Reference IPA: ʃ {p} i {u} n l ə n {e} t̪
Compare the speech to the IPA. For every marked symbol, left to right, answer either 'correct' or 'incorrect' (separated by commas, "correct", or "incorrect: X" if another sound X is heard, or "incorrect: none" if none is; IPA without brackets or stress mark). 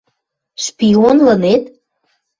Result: correct, incorrect: o, correct